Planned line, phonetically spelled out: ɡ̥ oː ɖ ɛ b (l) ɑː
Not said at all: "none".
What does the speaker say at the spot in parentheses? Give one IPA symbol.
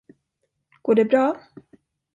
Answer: ɾ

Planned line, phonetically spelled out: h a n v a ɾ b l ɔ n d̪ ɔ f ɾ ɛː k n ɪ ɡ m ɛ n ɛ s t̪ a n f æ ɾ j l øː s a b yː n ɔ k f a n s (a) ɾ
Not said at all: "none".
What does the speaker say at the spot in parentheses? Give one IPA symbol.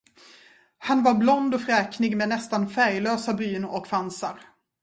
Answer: a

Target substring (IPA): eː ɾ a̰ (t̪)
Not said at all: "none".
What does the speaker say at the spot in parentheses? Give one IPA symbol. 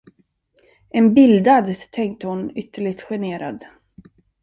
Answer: d̪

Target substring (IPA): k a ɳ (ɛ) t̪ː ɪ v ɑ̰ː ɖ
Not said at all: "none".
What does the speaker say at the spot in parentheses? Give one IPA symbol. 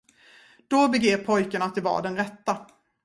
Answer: a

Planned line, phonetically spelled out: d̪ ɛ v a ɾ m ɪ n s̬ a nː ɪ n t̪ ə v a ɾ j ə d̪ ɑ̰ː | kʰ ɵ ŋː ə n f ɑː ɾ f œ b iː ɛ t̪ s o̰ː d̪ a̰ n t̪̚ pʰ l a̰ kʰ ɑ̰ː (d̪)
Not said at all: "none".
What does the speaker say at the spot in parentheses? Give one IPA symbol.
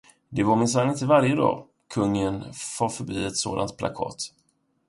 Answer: t̪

